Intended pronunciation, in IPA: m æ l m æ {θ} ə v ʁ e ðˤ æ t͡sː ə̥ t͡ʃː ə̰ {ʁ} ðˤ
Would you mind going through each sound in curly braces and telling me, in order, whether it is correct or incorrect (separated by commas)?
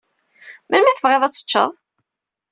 correct, incorrect